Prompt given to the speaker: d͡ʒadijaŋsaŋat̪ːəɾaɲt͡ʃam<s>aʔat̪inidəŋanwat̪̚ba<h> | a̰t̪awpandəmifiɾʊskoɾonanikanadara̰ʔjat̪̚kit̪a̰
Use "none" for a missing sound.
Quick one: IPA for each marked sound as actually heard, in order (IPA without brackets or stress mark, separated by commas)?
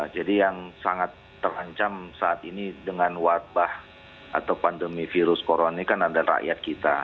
s, h